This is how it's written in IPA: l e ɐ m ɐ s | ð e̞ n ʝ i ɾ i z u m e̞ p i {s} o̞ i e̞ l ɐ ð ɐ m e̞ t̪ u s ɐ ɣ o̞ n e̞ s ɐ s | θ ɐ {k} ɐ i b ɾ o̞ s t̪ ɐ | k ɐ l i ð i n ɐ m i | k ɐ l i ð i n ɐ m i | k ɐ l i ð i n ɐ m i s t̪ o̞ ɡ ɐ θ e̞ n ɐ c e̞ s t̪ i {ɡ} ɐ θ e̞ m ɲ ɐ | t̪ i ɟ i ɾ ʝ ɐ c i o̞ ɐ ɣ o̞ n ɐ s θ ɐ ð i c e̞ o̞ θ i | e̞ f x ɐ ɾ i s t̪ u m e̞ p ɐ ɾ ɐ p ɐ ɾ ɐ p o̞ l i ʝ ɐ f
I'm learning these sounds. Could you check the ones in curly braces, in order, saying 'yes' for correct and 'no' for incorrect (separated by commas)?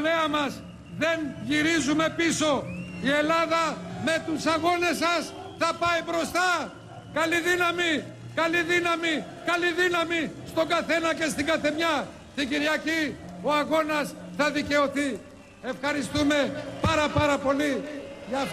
yes, no, yes